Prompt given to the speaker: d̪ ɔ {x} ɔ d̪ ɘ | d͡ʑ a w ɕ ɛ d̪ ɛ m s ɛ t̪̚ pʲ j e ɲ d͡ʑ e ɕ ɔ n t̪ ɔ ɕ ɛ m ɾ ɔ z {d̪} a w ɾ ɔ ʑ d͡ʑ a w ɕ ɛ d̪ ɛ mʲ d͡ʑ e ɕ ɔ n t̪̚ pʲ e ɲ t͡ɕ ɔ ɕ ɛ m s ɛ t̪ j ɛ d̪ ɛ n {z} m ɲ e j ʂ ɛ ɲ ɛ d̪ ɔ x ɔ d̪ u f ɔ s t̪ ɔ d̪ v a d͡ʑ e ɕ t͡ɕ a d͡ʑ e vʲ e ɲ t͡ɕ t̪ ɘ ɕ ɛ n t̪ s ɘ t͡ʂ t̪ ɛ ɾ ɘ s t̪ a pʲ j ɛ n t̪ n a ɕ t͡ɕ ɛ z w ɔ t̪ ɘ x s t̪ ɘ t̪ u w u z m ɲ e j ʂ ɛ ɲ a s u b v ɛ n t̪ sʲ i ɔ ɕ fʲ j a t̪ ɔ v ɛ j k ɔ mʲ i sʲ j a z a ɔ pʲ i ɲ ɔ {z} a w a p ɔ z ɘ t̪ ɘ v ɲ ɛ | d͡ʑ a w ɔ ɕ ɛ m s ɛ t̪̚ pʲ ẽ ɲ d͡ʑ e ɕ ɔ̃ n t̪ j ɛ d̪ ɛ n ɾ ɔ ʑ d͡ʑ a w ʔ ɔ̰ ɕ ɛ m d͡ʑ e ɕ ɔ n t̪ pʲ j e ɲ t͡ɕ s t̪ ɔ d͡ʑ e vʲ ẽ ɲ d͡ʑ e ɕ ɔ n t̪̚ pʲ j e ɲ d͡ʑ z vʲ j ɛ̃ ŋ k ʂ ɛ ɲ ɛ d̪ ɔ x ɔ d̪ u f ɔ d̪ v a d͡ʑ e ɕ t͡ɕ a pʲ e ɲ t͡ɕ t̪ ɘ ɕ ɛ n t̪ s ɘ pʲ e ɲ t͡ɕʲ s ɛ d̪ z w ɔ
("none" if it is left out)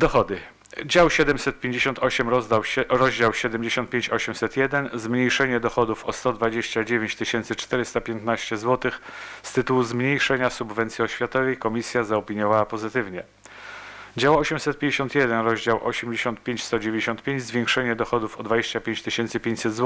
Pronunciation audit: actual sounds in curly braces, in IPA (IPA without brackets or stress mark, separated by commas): x, d̪, z, v